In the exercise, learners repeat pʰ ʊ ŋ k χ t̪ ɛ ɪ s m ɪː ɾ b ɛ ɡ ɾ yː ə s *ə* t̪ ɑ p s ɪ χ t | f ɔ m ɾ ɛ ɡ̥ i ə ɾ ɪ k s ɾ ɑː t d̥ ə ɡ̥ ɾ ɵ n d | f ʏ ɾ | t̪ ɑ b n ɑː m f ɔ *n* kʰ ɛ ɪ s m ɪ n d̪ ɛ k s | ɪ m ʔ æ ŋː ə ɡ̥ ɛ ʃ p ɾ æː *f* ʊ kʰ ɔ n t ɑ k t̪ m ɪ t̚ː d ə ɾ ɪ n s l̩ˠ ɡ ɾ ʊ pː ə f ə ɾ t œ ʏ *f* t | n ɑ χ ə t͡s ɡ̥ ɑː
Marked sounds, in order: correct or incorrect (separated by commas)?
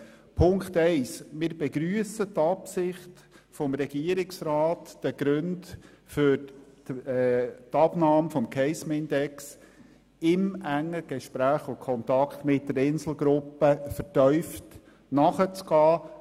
correct, incorrect, incorrect, correct